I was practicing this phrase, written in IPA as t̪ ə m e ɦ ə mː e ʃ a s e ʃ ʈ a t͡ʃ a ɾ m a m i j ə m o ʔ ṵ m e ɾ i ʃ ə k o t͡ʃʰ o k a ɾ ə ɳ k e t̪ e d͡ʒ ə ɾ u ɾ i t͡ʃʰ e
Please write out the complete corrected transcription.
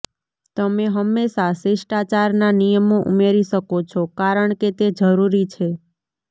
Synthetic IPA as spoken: t̪ ə m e ɦ ə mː e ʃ a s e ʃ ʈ a t͡ʃ a ɾ n a n i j ə m o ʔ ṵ m e ɾ i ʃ ə k o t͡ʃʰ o k a ɾ ə ɳ k e t̪ e d͡ʒ ə ɾ u ɾ i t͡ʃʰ e